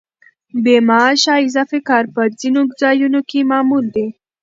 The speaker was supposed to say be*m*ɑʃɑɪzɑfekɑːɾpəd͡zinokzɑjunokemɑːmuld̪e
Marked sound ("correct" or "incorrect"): correct